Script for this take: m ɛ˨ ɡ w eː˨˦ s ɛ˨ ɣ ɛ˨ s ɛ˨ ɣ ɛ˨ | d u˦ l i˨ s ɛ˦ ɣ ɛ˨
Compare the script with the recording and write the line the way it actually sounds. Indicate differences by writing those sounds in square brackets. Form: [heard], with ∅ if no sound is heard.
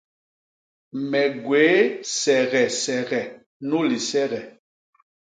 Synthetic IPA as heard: m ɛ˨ ɡ w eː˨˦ s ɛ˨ ɣ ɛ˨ s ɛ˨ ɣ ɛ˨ | [n] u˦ l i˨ s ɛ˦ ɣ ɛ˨